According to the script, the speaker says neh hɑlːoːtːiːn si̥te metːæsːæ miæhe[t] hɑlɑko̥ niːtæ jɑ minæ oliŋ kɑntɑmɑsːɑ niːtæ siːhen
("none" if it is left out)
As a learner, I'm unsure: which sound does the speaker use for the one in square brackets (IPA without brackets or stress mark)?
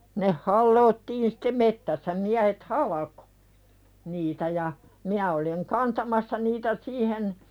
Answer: t